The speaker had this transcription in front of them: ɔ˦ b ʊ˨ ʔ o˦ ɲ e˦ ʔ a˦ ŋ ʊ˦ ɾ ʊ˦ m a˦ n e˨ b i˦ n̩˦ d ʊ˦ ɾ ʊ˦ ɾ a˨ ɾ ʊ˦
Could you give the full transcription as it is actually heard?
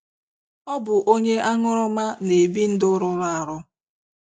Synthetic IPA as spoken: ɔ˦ b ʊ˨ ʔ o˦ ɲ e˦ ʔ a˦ ŋ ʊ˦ ɾ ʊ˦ m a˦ n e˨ b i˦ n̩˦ d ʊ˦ ɾ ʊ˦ ɾ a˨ ɾ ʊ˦